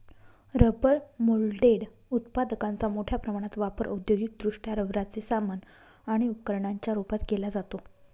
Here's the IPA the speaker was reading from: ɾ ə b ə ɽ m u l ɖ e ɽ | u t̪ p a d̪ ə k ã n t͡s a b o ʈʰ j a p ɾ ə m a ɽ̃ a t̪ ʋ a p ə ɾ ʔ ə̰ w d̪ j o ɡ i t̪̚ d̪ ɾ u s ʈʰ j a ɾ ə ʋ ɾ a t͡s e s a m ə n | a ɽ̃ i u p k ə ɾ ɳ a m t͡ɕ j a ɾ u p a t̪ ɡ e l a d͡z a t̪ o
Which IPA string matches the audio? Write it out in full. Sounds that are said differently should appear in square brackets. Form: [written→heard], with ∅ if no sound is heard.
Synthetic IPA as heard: ɾ ə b ə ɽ m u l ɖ e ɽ | u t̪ p a d̪ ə k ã n t͡s a [b→m] o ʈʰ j a p ɾ ə m a ɽ̃ a t̪ ʋ a p ə ɾ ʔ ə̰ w d̪ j o ɡ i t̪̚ d̪ ɾ u [s→ʂ] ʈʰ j a ɾ ə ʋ ɾ a t͡s e s a m ə n | a ɽ̃ i u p k ə ɾ ɳ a [m→ɲ] t͡ɕ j a ɾ u p a t̪ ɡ e l a d͡z a t̪ o